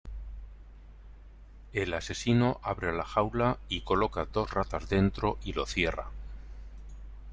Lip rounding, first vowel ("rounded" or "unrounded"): unrounded